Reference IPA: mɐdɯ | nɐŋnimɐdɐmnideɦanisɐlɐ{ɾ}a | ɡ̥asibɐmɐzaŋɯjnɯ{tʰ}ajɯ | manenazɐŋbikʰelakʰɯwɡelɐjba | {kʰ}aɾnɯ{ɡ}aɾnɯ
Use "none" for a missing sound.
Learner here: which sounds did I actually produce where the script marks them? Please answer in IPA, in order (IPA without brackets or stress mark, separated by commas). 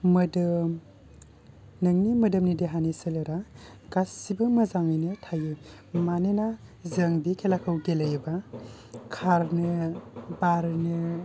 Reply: ɾ, tʰ, kʰ, b